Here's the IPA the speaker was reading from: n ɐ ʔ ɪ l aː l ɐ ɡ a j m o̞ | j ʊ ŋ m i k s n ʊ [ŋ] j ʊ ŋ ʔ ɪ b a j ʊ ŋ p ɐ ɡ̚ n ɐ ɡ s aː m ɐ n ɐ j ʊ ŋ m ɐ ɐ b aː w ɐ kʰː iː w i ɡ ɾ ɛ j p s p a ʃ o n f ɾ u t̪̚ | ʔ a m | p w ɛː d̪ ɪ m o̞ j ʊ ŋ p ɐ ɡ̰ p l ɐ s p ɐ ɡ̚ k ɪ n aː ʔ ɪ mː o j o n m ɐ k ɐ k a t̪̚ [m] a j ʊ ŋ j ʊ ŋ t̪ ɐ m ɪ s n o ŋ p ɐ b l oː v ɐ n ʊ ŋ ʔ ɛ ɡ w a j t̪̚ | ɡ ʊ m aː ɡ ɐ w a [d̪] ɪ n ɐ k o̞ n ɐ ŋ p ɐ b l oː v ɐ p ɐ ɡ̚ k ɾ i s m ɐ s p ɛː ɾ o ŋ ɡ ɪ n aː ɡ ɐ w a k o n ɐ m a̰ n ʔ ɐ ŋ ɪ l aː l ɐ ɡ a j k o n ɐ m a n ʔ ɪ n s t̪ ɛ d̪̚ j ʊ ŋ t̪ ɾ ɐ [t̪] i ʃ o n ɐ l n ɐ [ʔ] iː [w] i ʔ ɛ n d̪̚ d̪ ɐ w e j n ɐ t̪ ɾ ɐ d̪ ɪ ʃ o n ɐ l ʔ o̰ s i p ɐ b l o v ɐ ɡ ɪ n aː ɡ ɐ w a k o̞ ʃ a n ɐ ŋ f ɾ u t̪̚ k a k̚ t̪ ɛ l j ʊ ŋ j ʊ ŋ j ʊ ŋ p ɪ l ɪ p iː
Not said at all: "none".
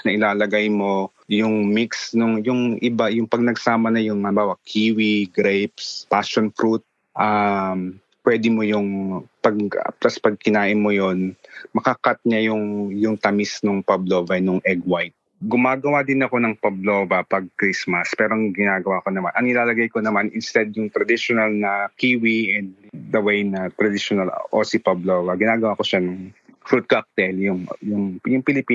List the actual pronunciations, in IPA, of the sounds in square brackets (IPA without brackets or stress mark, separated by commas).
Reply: ŋ, ɲ, d̪, d̪, k, w